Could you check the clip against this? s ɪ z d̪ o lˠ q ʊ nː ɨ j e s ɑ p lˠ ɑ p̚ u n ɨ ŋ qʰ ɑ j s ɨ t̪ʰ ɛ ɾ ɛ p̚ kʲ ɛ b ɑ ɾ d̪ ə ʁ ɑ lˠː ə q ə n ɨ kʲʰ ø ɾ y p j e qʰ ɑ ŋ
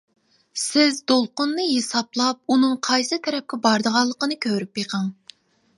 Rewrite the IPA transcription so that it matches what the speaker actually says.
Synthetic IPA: s ɪ z d̪ o lˠ q ʊ nː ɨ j e s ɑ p lˠ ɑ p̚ u n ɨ ŋ qʰ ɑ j s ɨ t̪ʰ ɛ ɾ ɛ p̚ kʲ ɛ b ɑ ɾ d̪ ə ʁ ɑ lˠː ə q ə n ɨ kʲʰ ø ɾ y p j e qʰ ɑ ŋ